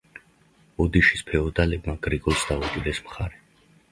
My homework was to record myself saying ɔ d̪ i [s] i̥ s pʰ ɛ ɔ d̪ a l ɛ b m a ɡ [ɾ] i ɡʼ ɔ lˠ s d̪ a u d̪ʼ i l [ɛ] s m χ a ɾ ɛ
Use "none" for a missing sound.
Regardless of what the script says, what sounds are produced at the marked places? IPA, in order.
ʃ, ɾ, ɛ

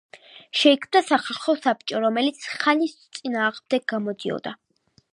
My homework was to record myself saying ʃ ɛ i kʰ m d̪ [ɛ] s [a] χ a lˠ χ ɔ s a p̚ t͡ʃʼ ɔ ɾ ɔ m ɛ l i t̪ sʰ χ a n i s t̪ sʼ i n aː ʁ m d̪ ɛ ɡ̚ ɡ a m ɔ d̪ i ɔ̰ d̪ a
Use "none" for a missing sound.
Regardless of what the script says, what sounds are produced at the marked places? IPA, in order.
a, a

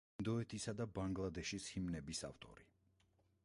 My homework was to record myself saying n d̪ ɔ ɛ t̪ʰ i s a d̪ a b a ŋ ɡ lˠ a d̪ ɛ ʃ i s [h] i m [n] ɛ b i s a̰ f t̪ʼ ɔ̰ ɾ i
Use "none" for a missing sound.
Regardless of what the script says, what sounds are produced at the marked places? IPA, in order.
h, n

